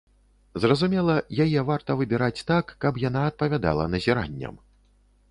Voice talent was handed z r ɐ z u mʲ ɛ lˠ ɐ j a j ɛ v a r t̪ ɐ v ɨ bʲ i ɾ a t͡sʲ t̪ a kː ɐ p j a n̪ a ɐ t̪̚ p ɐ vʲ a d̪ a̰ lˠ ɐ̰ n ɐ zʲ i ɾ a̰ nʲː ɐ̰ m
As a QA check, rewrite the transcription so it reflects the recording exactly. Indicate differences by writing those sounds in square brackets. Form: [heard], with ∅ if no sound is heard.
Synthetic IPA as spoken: z r ɐ z u mʲ ɛ lˠ ɐ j a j ɛ v a r t̪ ɐ v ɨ bʲ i ɾ a t͡sʲ t̪ a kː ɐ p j a n̪ a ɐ t̪̚ p ɐ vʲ a d̪ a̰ lˠ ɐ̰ n ɐ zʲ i ɾ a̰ nʲː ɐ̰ m